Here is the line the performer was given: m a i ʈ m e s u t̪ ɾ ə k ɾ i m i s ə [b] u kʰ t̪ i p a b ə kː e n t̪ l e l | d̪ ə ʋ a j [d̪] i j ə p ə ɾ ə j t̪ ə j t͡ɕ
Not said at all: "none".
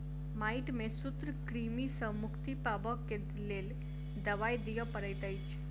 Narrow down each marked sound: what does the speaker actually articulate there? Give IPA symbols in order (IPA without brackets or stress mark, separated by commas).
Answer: m, d̪